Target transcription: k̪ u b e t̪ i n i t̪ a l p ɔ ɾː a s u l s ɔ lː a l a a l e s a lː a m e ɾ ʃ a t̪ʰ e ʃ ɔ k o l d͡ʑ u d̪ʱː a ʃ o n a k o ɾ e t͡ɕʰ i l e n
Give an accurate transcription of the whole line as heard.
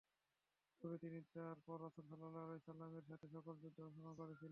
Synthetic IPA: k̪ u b e t̪ i n i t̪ a ɾ p ɔ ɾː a s u l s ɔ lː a l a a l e s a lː a m e ɾ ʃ a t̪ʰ e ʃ ɔ k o l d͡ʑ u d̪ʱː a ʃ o n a k o ɾ e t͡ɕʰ i l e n